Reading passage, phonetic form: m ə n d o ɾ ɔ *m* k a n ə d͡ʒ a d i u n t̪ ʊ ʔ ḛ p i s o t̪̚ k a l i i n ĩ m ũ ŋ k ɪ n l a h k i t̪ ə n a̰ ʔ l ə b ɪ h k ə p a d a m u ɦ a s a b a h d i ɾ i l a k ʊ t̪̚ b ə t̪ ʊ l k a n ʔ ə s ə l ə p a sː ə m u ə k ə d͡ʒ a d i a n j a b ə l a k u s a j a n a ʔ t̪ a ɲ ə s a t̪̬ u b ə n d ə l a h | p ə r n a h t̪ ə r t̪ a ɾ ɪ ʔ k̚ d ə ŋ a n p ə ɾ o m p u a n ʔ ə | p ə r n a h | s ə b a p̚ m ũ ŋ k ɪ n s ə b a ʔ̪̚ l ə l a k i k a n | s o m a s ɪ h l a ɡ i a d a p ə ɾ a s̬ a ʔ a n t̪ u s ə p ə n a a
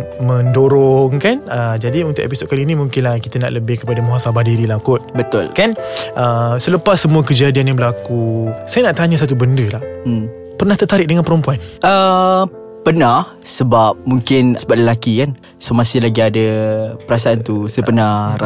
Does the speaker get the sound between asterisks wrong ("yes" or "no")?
yes